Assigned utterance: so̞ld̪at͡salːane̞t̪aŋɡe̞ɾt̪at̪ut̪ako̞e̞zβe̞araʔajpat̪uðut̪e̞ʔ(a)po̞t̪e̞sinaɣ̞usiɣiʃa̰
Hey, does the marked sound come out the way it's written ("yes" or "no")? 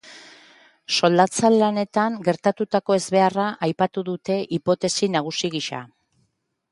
no